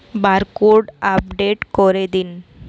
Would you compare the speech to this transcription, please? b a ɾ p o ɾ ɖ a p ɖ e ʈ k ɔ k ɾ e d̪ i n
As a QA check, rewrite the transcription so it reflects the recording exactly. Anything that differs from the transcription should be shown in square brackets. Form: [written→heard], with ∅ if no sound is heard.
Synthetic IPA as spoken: b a ɾ [p→k] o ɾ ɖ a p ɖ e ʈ k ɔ [k→∅] ɾ e d̪ i n